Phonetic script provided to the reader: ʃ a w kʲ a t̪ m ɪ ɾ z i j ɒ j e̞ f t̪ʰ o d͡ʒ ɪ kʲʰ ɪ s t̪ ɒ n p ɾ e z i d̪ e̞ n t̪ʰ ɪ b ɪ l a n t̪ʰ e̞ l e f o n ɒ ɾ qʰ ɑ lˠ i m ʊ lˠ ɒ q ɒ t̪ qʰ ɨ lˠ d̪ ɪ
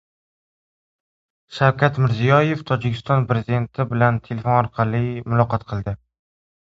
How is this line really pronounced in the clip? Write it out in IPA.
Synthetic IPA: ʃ a w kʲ a t̪ m ɪ ɾ z i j ɒ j e̞ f t̪ʰ ɒ d͡ʒ ɪ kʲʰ ɪ s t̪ ɒ n p ɾ e z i d̪ e̞ n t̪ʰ ɪ b ɪ l a n t̪ʰ e̞ l e f o n ɒ ɾ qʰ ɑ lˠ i m ʊ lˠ ɒ q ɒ t̪ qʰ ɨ lˠ d̪ ɪ